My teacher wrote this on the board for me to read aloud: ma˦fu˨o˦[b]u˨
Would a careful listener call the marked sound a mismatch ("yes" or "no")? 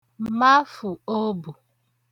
no